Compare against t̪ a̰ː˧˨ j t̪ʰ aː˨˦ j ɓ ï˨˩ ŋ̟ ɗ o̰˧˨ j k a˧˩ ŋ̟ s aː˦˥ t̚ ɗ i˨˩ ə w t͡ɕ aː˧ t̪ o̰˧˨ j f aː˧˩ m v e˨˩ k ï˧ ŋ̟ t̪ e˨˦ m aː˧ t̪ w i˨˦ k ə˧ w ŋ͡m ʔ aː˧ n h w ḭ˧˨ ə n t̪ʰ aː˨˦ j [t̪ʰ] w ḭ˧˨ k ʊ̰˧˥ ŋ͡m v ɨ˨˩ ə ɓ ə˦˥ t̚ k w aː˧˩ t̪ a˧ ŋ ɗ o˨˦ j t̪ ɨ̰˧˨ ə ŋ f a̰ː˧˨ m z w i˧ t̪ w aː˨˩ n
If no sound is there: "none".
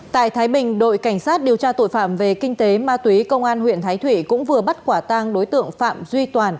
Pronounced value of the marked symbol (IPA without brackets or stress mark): t̪ʰ